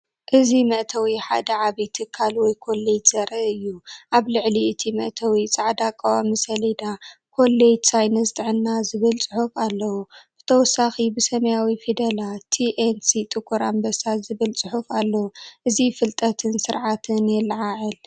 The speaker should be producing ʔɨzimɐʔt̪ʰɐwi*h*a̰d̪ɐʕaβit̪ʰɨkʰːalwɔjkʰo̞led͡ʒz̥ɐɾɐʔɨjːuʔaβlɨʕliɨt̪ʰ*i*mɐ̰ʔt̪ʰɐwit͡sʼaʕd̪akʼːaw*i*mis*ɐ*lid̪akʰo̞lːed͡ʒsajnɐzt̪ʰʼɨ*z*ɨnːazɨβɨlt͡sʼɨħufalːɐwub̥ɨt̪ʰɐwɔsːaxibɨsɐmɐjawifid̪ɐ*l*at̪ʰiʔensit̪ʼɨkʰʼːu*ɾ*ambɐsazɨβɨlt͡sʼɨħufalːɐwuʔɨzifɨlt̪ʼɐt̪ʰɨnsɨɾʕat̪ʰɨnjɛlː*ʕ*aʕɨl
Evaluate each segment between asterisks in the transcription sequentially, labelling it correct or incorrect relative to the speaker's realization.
incorrect: ħ, correct, incorrect: a, correct, incorrect: ʕ, correct, correct, correct

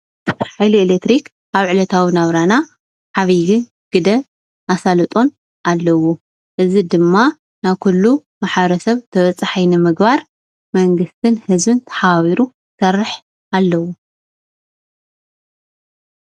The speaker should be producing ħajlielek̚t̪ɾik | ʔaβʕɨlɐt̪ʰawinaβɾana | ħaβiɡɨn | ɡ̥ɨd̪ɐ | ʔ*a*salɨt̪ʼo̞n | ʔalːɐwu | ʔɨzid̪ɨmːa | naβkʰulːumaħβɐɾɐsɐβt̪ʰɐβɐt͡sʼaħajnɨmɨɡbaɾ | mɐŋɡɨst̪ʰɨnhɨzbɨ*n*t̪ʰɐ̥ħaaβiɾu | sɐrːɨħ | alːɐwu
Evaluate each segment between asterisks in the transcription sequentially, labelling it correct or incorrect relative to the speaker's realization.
correct, correct

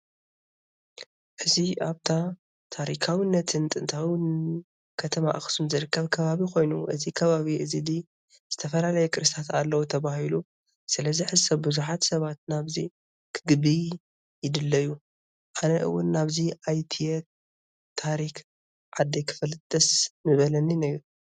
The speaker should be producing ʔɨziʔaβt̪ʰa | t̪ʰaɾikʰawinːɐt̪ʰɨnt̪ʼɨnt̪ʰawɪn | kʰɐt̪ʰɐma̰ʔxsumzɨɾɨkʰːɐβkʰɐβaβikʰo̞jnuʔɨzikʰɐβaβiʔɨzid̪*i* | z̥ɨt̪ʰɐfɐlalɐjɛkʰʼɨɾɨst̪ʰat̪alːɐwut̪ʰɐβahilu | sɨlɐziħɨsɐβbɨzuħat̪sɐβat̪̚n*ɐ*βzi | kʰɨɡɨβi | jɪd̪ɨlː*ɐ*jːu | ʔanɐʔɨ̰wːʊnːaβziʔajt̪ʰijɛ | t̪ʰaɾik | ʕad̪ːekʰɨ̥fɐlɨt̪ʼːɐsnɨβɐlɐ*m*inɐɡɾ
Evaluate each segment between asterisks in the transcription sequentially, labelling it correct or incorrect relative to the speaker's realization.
correct, incorrect: a, correct, incorrect: n

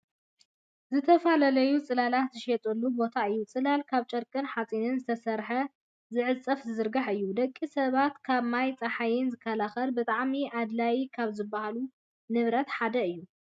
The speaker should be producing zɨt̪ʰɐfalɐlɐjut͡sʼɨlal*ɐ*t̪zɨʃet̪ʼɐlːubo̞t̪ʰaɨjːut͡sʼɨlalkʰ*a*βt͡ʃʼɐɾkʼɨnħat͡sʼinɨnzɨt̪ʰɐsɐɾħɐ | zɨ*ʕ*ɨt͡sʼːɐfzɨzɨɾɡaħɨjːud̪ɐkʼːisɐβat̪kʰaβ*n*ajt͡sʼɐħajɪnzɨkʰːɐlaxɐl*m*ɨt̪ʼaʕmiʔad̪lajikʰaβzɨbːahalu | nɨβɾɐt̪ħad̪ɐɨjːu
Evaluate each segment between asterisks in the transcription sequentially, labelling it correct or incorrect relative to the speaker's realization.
incorrect: a, correct, correct, incorrect: m, incorrect: b

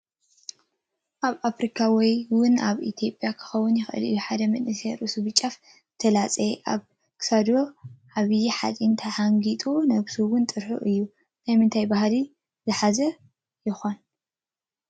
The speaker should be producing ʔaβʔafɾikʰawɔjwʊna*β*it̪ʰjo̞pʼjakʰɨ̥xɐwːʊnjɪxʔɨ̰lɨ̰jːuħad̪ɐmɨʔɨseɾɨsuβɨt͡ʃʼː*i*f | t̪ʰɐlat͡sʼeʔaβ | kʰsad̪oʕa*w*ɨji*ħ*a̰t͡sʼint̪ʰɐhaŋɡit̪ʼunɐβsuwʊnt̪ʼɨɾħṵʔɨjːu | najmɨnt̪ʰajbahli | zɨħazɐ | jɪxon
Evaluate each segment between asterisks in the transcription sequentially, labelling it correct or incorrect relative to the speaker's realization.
correct, incorrect: a, incorrect: β, correct

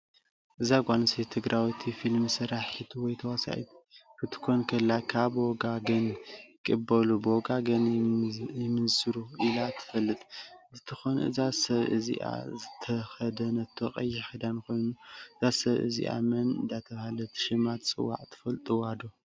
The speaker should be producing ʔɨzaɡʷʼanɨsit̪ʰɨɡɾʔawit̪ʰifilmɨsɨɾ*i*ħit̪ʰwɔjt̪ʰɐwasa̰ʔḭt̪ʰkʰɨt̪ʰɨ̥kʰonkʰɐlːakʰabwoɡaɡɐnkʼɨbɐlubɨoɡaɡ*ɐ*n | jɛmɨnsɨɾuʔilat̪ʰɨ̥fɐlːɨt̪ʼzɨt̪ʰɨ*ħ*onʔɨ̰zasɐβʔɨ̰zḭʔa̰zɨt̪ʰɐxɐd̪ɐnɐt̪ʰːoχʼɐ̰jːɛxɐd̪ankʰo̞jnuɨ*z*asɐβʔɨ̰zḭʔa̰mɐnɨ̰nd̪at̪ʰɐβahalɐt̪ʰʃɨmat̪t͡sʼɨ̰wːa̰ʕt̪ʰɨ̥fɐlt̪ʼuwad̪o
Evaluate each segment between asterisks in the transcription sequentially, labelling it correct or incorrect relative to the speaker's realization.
incorrect: a, correct, incorrect: x, correct

